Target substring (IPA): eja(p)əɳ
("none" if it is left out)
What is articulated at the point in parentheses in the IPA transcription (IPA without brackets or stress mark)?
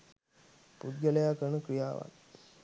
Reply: k